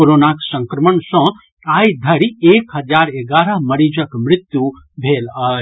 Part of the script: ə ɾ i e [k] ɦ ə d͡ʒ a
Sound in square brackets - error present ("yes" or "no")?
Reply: no